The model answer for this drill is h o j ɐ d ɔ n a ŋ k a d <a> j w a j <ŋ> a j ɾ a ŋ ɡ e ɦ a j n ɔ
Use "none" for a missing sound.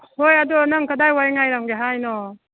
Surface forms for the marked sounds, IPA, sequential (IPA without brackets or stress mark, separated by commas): a, ŋ